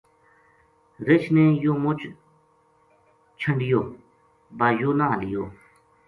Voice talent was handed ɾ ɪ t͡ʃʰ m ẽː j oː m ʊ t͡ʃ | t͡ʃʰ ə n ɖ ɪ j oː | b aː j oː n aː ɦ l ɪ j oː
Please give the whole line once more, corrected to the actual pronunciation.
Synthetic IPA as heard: ɾ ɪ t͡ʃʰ n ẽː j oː m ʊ t͡ʃ | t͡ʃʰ ə ɳ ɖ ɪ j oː | b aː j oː n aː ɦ l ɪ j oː